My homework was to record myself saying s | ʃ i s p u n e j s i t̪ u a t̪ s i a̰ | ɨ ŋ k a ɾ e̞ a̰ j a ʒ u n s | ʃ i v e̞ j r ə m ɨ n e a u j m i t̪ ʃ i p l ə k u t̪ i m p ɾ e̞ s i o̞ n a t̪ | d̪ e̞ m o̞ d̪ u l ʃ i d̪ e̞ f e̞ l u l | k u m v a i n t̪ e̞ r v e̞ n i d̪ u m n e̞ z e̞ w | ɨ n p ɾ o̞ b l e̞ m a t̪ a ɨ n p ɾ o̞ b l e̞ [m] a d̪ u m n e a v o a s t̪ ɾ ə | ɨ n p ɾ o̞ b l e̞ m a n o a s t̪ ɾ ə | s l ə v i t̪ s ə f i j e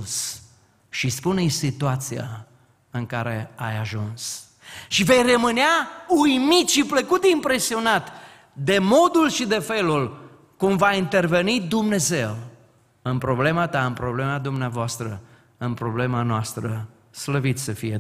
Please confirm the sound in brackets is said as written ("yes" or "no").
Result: yes